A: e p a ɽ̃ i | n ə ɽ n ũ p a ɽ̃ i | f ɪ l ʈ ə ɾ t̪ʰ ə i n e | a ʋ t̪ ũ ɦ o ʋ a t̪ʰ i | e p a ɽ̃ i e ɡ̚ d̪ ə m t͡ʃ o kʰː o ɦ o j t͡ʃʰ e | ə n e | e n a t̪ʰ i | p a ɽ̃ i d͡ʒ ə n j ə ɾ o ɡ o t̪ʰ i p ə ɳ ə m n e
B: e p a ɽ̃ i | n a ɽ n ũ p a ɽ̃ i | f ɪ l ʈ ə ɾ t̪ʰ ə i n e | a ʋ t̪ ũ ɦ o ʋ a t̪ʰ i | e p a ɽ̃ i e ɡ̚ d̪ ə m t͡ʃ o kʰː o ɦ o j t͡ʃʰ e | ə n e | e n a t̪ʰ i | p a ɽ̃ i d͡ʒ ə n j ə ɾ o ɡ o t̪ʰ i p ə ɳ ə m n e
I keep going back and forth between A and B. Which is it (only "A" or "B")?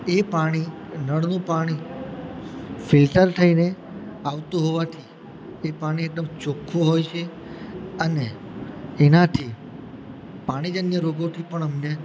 A